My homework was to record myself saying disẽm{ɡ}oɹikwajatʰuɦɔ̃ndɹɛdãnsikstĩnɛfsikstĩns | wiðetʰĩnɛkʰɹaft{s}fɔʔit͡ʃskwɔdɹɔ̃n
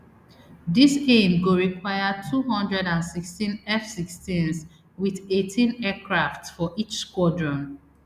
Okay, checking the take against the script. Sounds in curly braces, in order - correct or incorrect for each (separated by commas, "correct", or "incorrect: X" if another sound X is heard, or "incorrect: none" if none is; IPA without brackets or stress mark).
correct, correct